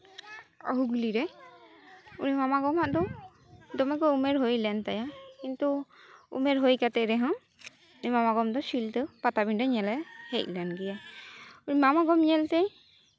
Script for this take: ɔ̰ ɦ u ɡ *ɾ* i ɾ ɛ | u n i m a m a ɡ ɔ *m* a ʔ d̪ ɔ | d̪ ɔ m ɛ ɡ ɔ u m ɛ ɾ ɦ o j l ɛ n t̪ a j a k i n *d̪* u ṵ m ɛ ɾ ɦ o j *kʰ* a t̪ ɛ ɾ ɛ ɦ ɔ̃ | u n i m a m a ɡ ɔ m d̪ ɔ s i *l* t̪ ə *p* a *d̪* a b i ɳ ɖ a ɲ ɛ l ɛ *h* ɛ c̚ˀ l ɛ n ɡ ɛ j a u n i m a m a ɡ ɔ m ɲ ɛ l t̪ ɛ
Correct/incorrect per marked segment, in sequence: incorrect: l, correct, incorrect: t̪, incorrect: k, correct, correct, incorrect: t̪, correct

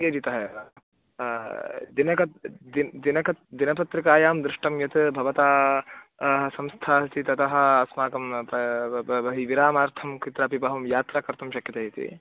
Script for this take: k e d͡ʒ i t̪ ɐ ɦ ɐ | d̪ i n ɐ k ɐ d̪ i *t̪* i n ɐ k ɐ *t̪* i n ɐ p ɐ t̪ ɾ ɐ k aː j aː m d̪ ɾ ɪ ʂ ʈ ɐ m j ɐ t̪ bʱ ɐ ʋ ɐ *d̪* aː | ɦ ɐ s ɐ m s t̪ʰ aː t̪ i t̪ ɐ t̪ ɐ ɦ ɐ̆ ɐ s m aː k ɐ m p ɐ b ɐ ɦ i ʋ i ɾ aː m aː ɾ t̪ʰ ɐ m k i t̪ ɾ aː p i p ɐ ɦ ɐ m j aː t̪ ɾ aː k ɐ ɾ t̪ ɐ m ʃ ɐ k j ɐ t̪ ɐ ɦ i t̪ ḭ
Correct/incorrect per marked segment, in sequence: incorrect: d̪, incorrect: d̪, incorrect: t̪

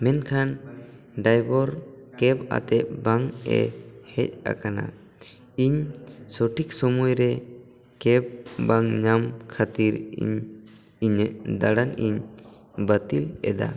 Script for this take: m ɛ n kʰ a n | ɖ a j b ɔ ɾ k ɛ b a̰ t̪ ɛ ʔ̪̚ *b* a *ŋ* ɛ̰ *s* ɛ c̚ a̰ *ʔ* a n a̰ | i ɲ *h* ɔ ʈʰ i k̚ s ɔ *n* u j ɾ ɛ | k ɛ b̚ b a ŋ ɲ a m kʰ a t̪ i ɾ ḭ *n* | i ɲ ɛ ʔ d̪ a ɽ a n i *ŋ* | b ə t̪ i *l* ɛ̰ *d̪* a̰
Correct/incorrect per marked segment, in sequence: correct, correct, incorrect: h, incorrect: k, incorrect: s, incorrect: m, incorrect: ɲ, incorrect: ɲ, correct, correct

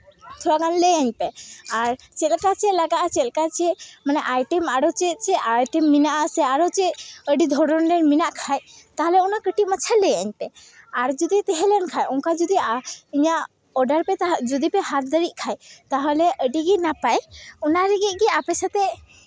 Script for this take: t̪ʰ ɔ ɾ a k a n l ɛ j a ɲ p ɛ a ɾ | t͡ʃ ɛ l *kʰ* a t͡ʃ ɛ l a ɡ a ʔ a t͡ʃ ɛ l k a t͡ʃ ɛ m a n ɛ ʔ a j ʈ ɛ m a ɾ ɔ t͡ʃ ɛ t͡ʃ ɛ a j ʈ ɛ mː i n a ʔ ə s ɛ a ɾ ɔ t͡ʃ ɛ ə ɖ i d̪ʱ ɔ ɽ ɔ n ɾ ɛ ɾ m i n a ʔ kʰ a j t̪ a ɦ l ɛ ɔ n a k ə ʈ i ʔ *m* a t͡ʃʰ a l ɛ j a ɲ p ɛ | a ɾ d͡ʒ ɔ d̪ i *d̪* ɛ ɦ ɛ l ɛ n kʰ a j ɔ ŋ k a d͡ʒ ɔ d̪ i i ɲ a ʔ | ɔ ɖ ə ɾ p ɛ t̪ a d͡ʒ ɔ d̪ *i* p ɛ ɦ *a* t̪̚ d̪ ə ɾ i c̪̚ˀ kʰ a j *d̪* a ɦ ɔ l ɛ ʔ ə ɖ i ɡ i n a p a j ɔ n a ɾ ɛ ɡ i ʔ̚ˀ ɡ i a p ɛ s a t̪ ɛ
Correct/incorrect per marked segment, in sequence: incorrect: k, correct, incorrect: t̪, correct, correct, incorrect: t̪

